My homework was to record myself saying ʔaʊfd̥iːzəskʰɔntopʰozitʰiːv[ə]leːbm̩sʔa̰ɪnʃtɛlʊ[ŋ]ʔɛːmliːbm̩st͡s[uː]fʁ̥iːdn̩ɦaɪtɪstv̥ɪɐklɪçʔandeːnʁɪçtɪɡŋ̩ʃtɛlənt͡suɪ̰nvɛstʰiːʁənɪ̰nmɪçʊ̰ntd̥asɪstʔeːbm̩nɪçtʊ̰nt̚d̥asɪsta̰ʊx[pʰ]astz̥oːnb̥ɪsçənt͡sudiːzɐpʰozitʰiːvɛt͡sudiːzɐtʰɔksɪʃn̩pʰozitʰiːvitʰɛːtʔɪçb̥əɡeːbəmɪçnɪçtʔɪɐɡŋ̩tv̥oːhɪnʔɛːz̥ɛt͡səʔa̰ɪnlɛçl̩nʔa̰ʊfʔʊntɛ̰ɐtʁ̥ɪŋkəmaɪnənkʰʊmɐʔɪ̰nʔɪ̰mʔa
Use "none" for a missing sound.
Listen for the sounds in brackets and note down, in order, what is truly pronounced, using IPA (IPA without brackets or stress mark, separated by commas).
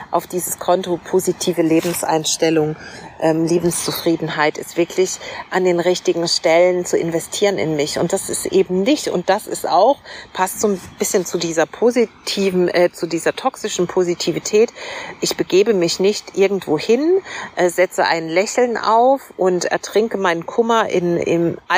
ə, ŋ, u, pʰ